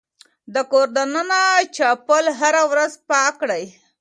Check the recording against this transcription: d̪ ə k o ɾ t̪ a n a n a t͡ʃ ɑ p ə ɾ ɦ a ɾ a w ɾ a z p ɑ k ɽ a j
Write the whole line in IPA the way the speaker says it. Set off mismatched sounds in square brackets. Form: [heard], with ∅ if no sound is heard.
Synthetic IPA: d̪ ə k o ɾ [d̪] a n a n a t͡ʃ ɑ p ə [l] ɦ a ɾ a w ɾ a z p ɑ k ɽ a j